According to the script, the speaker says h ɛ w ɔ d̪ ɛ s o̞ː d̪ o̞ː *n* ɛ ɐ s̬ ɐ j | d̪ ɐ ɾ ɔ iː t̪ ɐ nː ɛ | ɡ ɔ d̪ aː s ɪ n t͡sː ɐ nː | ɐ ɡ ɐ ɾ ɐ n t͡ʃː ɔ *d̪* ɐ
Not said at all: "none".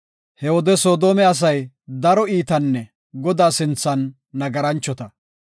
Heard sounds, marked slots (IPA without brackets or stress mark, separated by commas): m, t̪